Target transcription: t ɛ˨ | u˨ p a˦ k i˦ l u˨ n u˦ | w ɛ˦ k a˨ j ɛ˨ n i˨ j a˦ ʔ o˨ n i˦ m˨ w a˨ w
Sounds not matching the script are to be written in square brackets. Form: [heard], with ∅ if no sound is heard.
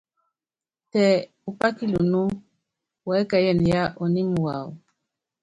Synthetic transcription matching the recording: t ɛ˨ | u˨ p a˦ k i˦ l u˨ n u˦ | w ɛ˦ k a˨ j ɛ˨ n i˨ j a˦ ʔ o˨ n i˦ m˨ w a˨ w